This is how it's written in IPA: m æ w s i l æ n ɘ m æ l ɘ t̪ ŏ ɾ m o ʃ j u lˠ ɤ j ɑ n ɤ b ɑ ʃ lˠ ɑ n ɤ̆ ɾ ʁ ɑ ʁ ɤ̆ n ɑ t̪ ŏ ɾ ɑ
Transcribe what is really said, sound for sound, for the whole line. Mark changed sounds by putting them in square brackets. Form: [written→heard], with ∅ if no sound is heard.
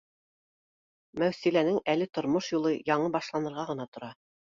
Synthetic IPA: m æ w s i l æ n ɘ [m→ŋ] æ l ɘ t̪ ŏ ɾ m o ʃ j u lˠ ɤ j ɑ [n→ɴ] ɤ b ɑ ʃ lˠ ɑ n ɤ̆ ɾ ʁ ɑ ʁ ɤ̆ n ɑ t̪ ŏ ɾ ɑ